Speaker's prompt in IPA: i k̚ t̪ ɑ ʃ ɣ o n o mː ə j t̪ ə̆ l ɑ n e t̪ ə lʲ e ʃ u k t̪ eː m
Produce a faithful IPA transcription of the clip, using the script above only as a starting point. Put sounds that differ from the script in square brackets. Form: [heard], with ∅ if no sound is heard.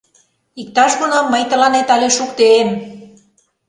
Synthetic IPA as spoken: i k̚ t̪ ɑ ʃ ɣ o n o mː ə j t̪ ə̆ l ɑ n e t̪ [ɑ] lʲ e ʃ u k t̪ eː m